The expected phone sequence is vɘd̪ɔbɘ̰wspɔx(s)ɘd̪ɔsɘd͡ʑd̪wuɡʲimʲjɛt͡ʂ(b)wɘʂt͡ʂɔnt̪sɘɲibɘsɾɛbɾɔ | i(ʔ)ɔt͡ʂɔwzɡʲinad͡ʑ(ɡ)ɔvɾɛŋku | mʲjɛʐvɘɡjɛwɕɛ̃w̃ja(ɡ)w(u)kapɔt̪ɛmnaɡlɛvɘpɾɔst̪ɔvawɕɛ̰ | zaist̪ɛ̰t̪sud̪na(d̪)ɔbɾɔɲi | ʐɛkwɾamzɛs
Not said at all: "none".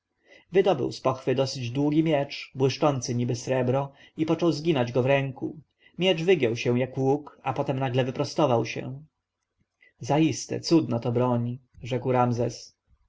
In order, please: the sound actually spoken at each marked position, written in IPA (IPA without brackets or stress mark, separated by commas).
f, b, p, ɡ, k, u, t̪